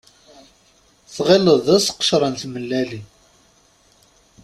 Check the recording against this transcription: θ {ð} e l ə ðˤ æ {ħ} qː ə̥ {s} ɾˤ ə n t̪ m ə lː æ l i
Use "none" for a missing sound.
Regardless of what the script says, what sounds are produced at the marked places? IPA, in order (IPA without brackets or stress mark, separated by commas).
ʁ, s, ʃ